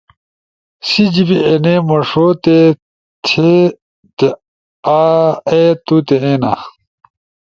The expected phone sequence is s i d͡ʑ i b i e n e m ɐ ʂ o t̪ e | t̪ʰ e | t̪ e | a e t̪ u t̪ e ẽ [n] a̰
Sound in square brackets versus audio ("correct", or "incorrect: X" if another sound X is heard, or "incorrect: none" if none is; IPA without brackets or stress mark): correct